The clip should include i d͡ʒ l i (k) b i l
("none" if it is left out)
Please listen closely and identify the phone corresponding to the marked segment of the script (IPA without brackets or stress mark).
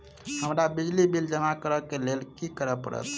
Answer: none